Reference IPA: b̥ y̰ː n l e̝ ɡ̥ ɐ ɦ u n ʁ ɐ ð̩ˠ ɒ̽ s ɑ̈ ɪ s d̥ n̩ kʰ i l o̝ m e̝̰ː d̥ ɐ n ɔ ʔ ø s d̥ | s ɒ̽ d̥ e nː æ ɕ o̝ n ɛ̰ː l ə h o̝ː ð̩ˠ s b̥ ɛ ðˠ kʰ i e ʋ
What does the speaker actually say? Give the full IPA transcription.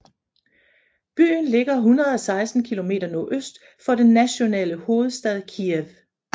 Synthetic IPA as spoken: b̥ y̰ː n l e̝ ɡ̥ ɐ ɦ u n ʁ ɐ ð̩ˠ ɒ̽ s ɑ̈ ɪ s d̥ n̩ kʰ i l o̝ m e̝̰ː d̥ ɐ n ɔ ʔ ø s d̥ | f ɒ̽ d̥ e nː æ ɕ o̝ n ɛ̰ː l ə h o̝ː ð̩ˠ s d̥ ɛ ðˠ kʰ i e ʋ